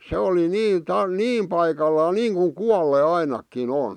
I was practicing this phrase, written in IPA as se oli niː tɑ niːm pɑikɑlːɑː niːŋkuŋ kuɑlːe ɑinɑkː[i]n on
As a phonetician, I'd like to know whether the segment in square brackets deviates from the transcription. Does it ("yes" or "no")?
no